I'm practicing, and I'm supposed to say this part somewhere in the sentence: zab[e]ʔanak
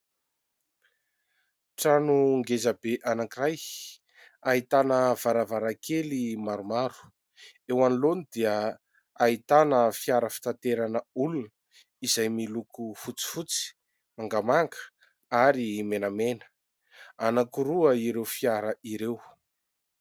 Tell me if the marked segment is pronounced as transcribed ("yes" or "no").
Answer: yes